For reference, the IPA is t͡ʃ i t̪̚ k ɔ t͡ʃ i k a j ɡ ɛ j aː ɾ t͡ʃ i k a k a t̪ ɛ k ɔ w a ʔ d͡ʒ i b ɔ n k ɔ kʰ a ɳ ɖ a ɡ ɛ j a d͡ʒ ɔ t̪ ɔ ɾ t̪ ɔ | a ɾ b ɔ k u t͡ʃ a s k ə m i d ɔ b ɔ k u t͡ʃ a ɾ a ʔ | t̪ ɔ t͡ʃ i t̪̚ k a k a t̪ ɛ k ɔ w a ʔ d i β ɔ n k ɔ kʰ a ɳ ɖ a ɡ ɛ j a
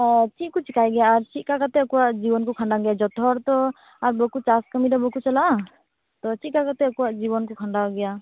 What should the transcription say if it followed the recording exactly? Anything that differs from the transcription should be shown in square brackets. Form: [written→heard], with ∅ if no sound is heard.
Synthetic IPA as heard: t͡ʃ i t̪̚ k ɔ t͡ʃ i k a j ɡ ɛ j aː ɾ t͡ʃ i k a k a t̪ ɛ k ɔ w a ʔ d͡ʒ i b ɔ n k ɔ kʰ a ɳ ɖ a ɡ ɛ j a d͡ʒ ɔ t̪ ɔ ɾ t̪ ɔ | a ɾ b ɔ k u t͡ʃ a s k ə m i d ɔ b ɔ k u t͡ʃ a [ɾ→l] a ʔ | t̪ ɔ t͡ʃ i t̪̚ k a k a t̪ ɛ k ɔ w a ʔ [d→d͡ʒ] i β ɔ n k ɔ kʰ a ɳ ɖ a ɡ ɛ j a

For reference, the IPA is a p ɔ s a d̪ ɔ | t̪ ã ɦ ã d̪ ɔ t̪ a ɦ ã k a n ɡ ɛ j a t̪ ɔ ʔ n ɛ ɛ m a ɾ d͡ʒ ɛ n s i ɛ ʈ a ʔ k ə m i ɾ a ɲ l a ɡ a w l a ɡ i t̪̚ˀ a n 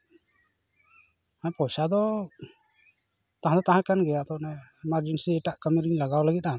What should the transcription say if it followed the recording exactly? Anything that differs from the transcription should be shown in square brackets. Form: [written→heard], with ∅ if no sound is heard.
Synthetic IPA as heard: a p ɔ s a d̪ ɔ | t̪ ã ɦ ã d̪ ɔ t̪ a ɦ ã k a n ɡ ɛ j a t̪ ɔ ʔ n ɛ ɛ m a ɾ d͡ʒ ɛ n s i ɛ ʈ a ʔ k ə m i ɾ [a→i] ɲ l a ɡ a w l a ɡ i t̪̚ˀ a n

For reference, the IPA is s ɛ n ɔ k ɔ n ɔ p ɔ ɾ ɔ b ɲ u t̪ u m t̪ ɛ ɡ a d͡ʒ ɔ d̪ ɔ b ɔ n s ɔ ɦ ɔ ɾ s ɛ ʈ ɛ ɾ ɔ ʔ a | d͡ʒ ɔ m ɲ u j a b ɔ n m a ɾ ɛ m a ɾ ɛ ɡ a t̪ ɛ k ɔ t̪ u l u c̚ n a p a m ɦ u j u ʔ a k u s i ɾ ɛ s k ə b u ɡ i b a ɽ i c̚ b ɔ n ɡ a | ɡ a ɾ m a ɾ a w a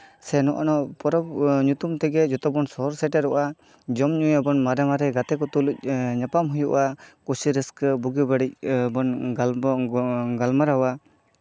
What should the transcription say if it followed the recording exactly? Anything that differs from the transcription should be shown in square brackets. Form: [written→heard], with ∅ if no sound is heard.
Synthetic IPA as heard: s ɛ n ɔ [k→ʔ] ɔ n ɔ p ɔ ɾ ɔ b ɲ u t̪ u m t̪ ɛ ɡ [a→ɛ] d͡ʒ ɔ [d̪→t̪] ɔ b ɔ n s ɔ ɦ ɔ ɾ s ɛ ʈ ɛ ɾ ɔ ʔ a | d͡ʒ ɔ m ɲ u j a b ɔ n m a ɾ ɛ m a ɾ ɛ ɡ a t̪ ɛ k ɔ t̪ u l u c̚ [n→ɲ] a p a m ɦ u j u ʔ a k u s i ɾ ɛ s k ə b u ɡ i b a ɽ i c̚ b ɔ n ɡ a | ɡ a [ɾ→l] m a ɾ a w a

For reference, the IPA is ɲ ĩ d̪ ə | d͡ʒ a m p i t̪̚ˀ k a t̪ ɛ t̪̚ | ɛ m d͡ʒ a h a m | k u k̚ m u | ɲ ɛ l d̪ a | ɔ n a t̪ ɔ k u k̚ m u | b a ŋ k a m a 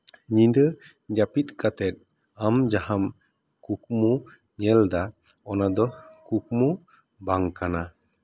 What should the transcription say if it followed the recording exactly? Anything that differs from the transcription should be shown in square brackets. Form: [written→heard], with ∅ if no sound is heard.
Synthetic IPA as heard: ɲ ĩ d̪ ə | d͡ʒ a [m→∅] p i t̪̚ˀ k a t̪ ɛ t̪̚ | [ɛ→a] m d͡ʒ a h a m | k u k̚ m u | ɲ ɛ l d̪ a | ɔ n a [t̪→d̪] ɔ k u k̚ m u | b a ŋ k a [m→n] a

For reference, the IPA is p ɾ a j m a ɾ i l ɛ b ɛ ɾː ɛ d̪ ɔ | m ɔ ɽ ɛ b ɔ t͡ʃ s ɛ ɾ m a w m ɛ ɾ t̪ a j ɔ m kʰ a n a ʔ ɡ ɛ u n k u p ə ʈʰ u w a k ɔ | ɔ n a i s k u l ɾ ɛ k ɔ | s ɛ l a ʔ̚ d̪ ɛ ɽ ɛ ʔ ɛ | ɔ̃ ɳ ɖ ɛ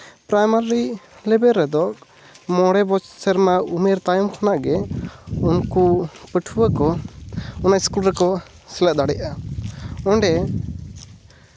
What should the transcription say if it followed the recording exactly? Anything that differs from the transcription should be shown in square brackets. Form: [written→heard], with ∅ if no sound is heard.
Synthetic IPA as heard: p ɾ a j m a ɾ i l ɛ b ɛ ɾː ɛ d̪ ɔ | m ɔ ɽ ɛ b ɔ t͡ʃ s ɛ ɾ m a [w→u] m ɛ ɾ t̪ a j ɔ m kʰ a n a ʔ ɡ ɛ u n k u p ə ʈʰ u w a k ɔ | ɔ n a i s k u l ɾ ɛ k ɔ | s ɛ l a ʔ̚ d̪ [ɛ→a] ɽ ɛ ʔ [ɛ→a] | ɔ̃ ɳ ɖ ɛ

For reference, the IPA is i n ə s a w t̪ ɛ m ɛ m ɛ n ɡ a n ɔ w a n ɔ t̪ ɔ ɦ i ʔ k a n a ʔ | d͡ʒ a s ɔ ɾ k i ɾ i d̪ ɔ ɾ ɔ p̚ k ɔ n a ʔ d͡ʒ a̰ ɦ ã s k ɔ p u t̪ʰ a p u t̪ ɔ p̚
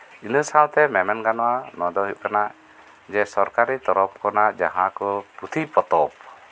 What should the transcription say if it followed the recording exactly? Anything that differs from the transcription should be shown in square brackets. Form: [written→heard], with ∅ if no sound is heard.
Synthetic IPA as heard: i n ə s a w t̪ ɛ m ɛ m ɛ n ɡ a n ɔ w a n ɔ [t̪→d̪] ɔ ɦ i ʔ k a n a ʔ | d͡ʒ [a→ɛ] s ɔ ɾ k [i→a] ɾ i [d̪→t̪] ɔ ɾ ɔ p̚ k ɔ n a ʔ d͡ʒ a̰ ɦ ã [s→∅] k ɔ p u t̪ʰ [a→i] p [u→ɔ] t̪ ɔ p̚

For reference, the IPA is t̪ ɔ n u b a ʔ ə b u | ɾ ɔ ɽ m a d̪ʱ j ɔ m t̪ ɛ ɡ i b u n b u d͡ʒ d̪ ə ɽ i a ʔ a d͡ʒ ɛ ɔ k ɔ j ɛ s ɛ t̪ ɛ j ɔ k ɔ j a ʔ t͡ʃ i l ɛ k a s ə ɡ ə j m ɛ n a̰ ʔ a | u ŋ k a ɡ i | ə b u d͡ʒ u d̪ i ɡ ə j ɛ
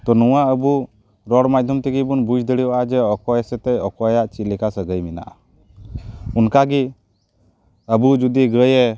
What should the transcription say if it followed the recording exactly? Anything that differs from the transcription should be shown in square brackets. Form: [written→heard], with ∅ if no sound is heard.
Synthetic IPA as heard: t̪ ɔ n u [b→w] a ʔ ə b u | ɾ ɔ ɽ m a d̪ʱ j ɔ m t̪ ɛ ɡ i b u n b u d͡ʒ d̪ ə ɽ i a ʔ a d͡ʒ ɛ ɔ k ɔ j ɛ s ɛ t̪ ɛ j ɔ k ɔ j a ʔ t͡ʃ i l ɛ k a s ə ɡ ə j m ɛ n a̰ ʔ a | u [ŋ→n] k a ɡ i | ə b u d͡ʒ u d̪ i ɡ ə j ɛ

